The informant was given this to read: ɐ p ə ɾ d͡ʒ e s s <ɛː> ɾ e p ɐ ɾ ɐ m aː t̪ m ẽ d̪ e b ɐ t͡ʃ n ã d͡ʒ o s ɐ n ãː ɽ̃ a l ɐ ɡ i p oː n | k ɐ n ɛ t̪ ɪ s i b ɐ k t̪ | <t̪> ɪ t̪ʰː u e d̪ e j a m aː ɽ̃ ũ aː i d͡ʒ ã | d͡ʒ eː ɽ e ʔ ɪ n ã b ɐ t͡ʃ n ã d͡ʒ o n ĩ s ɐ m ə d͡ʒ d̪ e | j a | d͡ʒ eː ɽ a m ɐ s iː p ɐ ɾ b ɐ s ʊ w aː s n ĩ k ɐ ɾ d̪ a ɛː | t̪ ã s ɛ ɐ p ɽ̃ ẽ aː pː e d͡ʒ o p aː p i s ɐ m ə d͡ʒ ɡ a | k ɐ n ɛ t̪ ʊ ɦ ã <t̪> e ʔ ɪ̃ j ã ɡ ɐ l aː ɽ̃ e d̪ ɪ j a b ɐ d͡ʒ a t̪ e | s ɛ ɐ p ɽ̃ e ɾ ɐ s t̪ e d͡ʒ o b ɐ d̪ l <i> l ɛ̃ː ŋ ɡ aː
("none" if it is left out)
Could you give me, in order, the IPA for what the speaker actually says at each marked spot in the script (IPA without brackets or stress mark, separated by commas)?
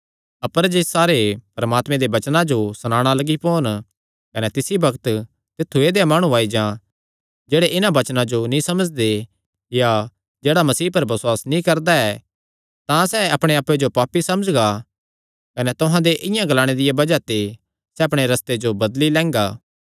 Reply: aː, t̪, d̪, i